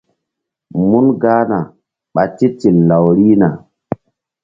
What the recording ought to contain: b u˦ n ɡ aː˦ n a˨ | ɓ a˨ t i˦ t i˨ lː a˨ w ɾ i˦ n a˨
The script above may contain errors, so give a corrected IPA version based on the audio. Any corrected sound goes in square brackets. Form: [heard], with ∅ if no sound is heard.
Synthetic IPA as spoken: [m] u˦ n ɡ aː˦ n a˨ | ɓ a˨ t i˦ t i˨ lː a˨ w ɾ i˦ n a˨